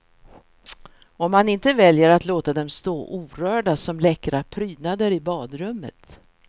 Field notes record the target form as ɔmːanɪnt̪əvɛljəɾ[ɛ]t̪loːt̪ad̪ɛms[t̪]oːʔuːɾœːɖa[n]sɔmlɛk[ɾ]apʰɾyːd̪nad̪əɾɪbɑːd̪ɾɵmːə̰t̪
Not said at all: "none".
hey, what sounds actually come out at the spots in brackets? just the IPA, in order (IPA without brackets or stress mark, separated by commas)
a, t̪, none, ɾ